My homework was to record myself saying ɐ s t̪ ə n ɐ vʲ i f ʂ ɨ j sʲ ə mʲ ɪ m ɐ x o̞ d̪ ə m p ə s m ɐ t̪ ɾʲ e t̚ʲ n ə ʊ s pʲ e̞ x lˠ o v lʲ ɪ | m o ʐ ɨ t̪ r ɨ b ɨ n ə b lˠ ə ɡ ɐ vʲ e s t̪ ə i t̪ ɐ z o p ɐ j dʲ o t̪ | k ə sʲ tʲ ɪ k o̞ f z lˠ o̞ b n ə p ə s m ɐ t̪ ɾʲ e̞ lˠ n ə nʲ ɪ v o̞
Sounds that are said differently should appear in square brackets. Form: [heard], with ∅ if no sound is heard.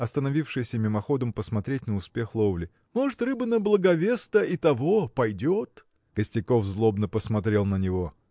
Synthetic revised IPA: ɐ s t̪ ə n ɐ vʲ i f ʂ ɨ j sʲ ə mʲ ɪ m ɐ x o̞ d̪ ə m p ə s m ɐ t̪ ɾʲ e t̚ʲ n ə ʊ s pʲ e̞ x lˠ o v lʲ ɪ | m o ʐ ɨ t̪ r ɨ b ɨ n ə b lˠ ə ɡ ɐ vʲ e s t̪ ə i t̪ ɐ [v] o p ɐ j dʲ o t̪ | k ə sʲ tʲ ɪ k o̞ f z lˠ o̞ b n ə p ə s m ɐ t̪ ɾʲ e̞ lˠ n ə nʲ ɪ v o̞

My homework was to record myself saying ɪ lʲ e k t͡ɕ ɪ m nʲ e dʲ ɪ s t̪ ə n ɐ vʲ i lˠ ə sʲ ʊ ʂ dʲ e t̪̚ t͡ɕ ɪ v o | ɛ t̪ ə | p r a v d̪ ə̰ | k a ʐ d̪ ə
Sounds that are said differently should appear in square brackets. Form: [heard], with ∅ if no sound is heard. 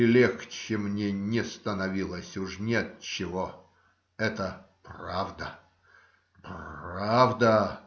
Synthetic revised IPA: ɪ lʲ e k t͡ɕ ɪ m nʲ e [nʲ] ɪ s t̪ ə n ɐ vʲ i lˠ ə sʲ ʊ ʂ [nʲ] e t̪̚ t͡ɕ ɪ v o | ɛ t̪ ə | p r a v d̪ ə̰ | [p] a [v] d̪ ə

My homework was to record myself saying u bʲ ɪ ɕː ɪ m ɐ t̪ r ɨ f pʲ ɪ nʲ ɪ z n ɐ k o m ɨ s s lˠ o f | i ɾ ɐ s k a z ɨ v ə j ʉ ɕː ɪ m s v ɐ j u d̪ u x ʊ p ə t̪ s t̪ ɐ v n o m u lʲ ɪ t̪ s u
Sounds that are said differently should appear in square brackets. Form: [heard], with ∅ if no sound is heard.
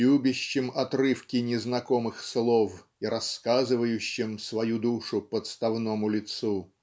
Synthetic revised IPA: u bʲ ɪ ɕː ɪ m ɐ t̪ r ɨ f [kʲ] ɪ nʲ ɪ z n ɐ k o m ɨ [x] s lˠ o f | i ɾ ɐ s k a z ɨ v ə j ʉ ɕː ɪ m s v ɐ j u d̪ u [ʂ] ʊ p ə t̪ s t̪ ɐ v n o m [ʊ] lʲ ɪ t̪ s u

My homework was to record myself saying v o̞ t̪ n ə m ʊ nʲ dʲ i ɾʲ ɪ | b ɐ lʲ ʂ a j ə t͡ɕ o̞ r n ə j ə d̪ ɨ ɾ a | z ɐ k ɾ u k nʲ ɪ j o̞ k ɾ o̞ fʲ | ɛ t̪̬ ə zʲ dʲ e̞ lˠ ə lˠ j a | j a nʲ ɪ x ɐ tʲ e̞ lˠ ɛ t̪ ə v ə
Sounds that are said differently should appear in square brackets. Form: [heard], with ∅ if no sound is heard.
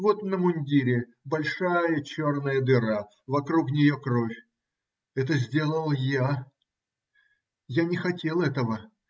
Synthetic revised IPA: v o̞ t̪ n ə m ʊ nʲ dʲ i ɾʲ ɪ | b ɐ lʲ ʂ a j ə t͡ɕ o̞ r n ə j ə d̪ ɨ ɾ a | [v] ɐ k ɾ u k nʲ ɪ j o̞ k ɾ o̞ fʲ | ɛ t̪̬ ə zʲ dʲ e̞ lˠ ə lˠ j a | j a nʲ ɪ x ɐ tʲ e̞ lˠ ɛ t̪ ə v ə

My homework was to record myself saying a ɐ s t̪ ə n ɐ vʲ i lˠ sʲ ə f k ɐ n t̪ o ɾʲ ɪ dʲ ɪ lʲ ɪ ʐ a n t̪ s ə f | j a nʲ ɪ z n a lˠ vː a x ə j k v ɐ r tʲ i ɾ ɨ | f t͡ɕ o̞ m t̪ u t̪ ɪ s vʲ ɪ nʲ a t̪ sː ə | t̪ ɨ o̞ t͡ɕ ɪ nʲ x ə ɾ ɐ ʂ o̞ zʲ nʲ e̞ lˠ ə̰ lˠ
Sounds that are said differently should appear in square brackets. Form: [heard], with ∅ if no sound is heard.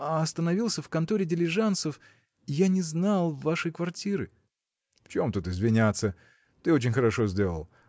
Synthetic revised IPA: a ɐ s t̪ ə n ɐ vʲ i lˠ sʲ ə f k ɐ n t̪ o ɾʲ ɪ dʲ ɪ lʲ ɪ ʐ a n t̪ s ə f | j a nʲ ɪ z n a lˠ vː a [ʂ] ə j k v ɐ r tʲ i ɾ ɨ | f t͡ɕ o̞ m t̪ u t̪ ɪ [z] vʲ ɪ nʲ a t̪ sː ə | t̪ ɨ o̞ t͡ɕ ɪ nʲ x ə ɾ ɐ ʂ o̞ zʲ [dʲ] e̞ lˠ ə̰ lˠ

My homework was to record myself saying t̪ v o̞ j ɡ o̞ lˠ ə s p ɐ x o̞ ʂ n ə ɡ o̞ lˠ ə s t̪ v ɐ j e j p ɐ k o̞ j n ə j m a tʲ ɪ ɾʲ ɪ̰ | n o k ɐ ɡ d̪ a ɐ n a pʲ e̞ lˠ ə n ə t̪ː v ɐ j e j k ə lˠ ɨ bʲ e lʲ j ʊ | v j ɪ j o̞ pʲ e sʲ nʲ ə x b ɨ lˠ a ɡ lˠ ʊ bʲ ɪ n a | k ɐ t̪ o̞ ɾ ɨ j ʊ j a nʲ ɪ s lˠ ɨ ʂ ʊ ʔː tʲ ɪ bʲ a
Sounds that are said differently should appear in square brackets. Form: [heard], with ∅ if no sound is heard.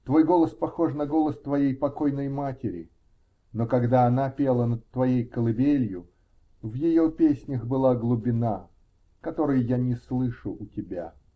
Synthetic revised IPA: t̪ v o̞ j ɡ o̞ lˠ ə s p ɐ x o̞ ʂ n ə ɡ o̞ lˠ ə s t̪ v ɐ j e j p ɐ k o̞ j n ə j m a tʲ ɪ ɾʲ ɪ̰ | n o k ɐ ɡ d̪ a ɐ n a pʲ e̞ lˠ ə n ə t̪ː v ɐ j e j k ə lˠ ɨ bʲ e lʲ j ʊ | v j ɪ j o̞ pʲ e sʲ nʲ ə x b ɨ lˠ a ɡ lˠ ʊ bʲ ɪ n a | k ɐ t̪ o̞ ɾ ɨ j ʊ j a nʲ ɪ s lˠ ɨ ʂ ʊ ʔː tʲ ɪ bʲ a

